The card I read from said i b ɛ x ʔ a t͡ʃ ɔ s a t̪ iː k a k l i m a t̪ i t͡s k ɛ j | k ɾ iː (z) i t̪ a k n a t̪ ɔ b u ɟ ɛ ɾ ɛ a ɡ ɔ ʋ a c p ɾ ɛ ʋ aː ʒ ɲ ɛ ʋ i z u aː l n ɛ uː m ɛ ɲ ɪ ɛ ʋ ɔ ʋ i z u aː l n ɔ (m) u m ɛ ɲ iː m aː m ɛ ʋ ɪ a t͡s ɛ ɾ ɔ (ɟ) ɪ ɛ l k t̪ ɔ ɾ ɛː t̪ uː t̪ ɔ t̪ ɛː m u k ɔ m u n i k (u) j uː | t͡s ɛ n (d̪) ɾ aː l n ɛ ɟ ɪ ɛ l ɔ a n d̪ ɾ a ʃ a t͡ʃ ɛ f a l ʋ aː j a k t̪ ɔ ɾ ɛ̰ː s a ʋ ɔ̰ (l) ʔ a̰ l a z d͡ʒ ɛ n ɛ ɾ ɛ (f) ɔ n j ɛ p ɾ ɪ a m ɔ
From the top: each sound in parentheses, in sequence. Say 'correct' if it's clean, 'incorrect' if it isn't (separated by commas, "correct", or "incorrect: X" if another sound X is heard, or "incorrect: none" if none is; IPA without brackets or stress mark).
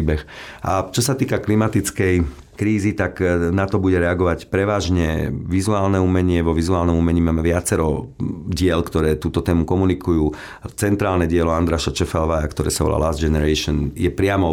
correct, correct, correct, correct, incorrect: t̪, correct, incorrect: ʃ